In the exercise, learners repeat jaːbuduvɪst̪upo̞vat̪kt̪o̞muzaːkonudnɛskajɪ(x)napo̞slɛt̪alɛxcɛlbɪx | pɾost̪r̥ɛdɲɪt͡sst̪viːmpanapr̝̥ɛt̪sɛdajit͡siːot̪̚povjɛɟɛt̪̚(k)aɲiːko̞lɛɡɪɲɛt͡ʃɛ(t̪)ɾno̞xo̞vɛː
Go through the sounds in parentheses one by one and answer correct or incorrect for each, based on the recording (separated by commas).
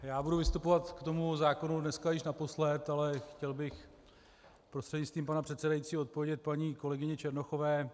incorrect, incorrect, incorrect